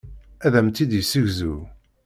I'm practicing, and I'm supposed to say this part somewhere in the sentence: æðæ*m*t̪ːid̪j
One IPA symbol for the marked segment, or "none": m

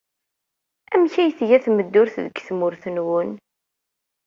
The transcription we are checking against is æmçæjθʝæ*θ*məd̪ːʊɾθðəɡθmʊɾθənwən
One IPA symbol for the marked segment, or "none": θ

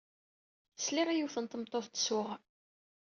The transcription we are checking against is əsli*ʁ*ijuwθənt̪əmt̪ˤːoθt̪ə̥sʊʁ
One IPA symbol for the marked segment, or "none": ʁ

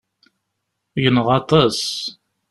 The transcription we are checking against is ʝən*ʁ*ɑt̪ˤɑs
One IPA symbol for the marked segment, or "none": ʁ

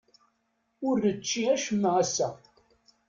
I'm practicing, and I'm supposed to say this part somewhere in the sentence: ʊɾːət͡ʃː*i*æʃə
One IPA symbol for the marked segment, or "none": i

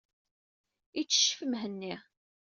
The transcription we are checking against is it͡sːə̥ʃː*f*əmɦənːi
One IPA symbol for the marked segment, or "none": f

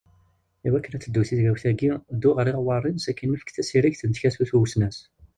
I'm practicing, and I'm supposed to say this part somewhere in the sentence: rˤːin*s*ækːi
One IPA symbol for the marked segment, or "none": s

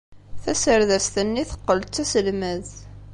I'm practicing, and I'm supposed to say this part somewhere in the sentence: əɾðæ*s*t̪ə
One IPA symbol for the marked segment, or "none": s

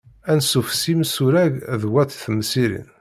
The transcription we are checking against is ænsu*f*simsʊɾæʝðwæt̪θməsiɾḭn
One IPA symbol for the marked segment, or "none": f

